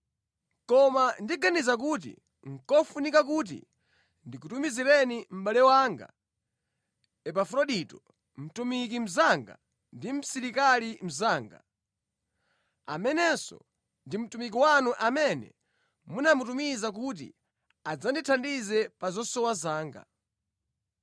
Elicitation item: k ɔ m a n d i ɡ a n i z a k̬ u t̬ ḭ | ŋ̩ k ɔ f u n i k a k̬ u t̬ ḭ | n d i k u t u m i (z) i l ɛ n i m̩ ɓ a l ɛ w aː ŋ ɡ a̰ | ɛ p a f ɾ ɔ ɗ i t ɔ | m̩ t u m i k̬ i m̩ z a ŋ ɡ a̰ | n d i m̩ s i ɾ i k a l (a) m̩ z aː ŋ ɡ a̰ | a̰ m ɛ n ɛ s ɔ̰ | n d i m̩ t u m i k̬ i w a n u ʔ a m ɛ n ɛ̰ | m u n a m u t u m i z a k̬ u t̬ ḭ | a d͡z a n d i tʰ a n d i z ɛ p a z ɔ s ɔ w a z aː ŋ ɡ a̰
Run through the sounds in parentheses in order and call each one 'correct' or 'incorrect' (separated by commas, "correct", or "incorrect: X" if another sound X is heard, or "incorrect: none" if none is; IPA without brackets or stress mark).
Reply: correct, incorrect: i